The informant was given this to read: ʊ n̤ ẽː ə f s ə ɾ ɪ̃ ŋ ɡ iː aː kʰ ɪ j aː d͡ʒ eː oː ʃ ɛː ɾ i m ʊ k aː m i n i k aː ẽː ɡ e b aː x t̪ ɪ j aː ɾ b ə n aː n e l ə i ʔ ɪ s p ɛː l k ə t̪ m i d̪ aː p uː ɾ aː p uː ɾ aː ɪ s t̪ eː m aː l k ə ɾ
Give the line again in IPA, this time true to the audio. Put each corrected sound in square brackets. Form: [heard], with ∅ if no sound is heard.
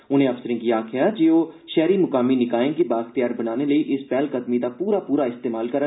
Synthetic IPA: ʊ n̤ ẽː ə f s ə ɾ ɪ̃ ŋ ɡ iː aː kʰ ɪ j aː d͡ʒ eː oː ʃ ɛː ɾ i m ʊ k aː m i n [ɪ] k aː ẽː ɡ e b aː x t̪ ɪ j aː ɾ b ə n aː n e l ə i ʔ ɪ s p ɛː l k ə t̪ m i d̪ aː p uː ɾ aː p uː ɾ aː ɪ s t̪ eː m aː l k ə ɾ